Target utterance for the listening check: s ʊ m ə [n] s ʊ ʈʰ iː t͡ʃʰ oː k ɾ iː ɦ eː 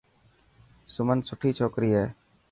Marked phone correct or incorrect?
correct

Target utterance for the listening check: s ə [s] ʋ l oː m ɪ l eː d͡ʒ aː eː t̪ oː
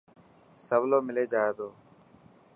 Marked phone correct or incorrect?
incorrect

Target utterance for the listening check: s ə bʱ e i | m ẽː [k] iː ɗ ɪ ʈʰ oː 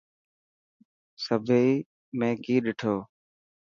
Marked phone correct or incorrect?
correct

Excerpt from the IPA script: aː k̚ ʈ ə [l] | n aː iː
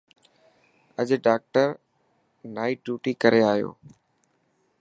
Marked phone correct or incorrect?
incorrect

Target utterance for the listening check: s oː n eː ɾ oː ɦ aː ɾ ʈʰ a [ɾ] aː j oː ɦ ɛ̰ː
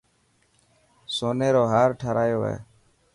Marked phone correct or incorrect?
correct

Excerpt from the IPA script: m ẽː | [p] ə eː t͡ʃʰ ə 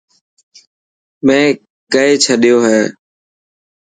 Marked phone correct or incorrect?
incorrect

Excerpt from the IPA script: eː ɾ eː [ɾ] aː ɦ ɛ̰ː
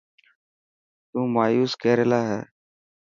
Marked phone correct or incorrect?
incorrect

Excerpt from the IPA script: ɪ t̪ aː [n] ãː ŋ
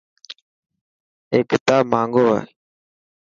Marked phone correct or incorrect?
incorrect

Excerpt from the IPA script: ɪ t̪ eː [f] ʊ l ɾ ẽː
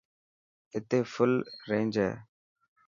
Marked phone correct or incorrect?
correct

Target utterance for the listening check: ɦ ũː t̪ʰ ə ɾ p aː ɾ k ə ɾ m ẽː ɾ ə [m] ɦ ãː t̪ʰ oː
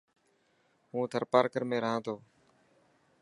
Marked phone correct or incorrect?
incorrect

